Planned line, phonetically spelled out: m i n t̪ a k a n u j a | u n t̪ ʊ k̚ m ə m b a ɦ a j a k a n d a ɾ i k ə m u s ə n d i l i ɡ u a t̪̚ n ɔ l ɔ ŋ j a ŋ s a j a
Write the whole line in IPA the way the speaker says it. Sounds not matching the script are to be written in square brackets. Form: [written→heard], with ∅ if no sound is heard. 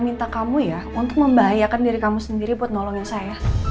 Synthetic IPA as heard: m i n t̪ a k a [n→m] u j a | u n t̪ ʊ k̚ m ə m b a ɦ a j a k a n d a ɾ i k [ə→a] m u s ə n d i [l→ɾ] i [ɡ→b] u a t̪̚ n ɔ l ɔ ŋ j a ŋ s a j a